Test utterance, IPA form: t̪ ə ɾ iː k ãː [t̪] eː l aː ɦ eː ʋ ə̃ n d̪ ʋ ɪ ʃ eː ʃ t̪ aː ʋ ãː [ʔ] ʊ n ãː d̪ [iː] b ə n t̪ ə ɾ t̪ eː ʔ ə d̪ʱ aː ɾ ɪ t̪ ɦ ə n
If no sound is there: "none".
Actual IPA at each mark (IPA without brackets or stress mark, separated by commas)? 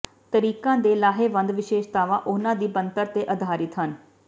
d̪, ʔ, iː